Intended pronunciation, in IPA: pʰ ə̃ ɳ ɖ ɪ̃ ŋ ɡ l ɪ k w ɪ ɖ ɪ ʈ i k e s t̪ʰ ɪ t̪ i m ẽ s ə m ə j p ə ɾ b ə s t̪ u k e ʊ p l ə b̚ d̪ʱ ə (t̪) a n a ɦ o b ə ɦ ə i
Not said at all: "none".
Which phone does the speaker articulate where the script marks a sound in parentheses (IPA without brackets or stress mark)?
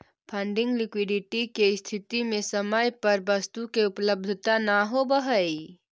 t̪